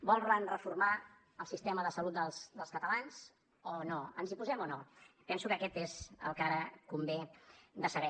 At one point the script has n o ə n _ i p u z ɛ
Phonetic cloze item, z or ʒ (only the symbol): z